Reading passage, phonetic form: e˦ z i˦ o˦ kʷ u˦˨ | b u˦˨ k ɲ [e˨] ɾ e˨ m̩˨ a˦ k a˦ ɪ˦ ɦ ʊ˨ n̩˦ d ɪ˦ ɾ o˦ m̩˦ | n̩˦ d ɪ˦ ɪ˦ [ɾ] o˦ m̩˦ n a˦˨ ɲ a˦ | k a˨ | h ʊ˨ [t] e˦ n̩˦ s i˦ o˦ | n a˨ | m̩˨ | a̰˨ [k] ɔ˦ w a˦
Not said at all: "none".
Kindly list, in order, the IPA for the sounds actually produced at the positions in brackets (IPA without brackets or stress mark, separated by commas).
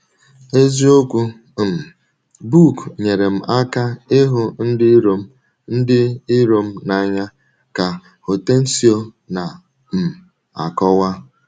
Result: e˨, ɾ, t, k